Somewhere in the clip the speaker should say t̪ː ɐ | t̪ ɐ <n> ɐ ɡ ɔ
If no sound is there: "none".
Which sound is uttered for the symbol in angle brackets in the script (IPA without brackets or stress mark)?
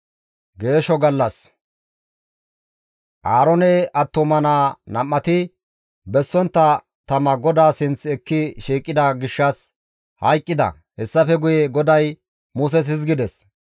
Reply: m